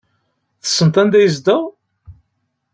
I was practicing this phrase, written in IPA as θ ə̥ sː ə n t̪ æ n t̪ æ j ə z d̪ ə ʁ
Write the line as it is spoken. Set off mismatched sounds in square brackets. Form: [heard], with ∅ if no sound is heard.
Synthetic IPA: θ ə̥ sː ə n t̪ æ n [d̪] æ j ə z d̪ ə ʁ